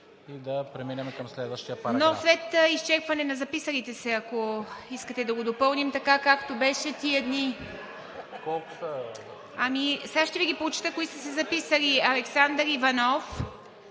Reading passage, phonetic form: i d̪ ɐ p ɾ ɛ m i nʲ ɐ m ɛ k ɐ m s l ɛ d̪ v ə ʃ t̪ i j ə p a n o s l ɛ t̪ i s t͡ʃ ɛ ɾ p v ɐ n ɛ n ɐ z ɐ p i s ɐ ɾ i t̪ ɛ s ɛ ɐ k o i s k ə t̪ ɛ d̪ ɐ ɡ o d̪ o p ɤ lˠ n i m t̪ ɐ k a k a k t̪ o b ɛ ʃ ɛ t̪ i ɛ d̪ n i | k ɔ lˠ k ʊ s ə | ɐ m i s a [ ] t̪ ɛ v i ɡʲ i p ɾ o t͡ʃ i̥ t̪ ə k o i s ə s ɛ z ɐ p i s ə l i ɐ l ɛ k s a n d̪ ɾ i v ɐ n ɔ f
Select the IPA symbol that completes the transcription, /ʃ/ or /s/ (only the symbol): ʃ